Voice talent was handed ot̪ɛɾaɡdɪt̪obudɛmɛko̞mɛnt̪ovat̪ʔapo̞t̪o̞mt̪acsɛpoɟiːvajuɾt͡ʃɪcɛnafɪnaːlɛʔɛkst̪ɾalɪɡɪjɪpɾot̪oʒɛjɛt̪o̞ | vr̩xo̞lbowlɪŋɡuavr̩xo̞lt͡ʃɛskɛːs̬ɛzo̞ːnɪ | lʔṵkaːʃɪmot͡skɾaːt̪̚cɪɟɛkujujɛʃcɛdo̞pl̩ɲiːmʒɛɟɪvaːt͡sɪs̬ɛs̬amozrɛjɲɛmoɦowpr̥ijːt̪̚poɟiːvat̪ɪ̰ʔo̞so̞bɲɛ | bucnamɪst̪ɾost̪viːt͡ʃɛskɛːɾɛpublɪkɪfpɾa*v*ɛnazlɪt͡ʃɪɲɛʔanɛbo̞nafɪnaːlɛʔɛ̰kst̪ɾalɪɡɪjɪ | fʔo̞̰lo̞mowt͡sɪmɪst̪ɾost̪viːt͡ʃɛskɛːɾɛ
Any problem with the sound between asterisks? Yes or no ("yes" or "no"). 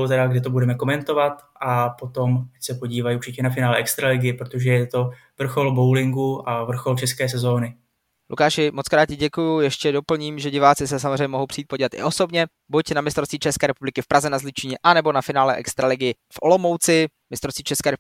yes